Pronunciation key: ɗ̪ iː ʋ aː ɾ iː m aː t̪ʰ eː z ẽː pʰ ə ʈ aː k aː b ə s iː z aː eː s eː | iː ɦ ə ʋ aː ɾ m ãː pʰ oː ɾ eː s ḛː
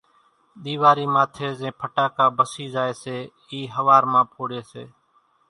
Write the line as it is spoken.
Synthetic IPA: ɗ̪ iː ʋ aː ɾ iː m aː t̪ʰ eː z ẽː pʰ ə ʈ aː k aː b ə s iː z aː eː s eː | iː ɦ ə ʋ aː ɾ m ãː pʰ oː ɽ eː s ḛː